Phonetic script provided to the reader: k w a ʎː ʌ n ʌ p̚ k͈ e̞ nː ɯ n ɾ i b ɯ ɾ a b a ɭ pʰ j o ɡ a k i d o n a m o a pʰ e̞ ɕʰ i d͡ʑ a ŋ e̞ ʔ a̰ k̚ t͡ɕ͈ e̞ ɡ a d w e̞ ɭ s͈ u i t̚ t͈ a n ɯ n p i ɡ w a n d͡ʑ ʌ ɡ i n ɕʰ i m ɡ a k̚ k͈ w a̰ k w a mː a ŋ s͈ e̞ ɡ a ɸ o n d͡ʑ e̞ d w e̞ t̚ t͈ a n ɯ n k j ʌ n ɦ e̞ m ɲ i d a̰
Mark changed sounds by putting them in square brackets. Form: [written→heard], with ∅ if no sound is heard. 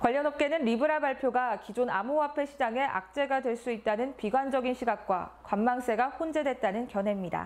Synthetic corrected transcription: k w a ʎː ʌ n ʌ p̚ k͈ e̞ [nː→n] ɯ n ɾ i b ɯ ɾ a b a ɭ pʰ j o ɡ a k i [d→d͡ʑ] o n a m o a pʰ e̞ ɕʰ i d͡ʑ a ŋ e̞ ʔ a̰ k̚ t͡ɕ͈ e̞ ɡ a d w e̞ ɭ s͈ u i t̚ t͈ a n ɯ n p i ɡ w a n d͡ʑ ʌ ɡ i n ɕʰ i [m→∅] ɡ a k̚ k͈ w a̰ k w a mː a ŋ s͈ e̞ ɡ a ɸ o n d͡ʑ e̞ d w e̞ t̚ t͈ a n ɯ n k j ʌ n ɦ e̞ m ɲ i d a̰